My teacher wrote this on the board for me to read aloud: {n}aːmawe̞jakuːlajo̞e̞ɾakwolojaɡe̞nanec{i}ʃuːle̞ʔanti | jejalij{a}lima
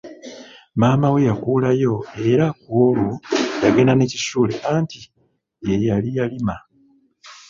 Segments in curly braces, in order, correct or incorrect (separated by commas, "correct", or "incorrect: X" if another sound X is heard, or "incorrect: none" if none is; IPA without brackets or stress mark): incorrect: m, correct, correct